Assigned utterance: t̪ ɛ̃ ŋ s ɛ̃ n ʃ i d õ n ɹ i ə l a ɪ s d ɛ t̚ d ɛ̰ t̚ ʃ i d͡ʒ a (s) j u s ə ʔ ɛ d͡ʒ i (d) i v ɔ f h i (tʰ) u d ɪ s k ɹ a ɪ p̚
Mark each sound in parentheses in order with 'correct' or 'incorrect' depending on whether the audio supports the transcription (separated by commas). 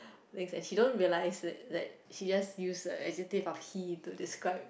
correct, incorrect, incorrect